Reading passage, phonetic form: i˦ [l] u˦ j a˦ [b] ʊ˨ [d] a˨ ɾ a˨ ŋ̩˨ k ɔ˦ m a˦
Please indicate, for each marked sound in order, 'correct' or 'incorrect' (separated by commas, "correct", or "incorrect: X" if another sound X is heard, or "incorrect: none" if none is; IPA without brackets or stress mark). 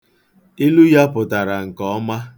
correct, incorrect: p, incorrect: t